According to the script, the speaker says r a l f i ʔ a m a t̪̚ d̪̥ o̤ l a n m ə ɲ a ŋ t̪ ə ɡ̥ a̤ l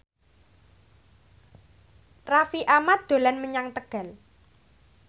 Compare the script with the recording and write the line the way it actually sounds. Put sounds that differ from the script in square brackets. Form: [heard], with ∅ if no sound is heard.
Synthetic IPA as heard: r a [∅] f i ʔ a m a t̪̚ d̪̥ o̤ l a n m ə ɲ a ŋ t̪ ə ɡ̥ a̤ l